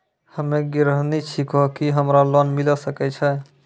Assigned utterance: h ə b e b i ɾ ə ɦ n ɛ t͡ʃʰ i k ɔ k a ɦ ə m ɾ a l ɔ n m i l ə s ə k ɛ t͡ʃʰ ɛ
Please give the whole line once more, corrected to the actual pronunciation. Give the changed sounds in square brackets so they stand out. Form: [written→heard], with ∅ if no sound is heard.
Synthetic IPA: h ə [b→m] e [b→ɡ] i ɾ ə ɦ n [ɛ→i] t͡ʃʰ i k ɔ k [a→i] ɦ ə m ɾ a l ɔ n m i l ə s ə k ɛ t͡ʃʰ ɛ